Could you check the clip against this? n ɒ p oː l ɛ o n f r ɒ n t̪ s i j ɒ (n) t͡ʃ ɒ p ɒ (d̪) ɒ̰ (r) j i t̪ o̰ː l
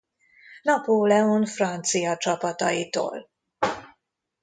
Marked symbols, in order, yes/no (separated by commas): no, no, no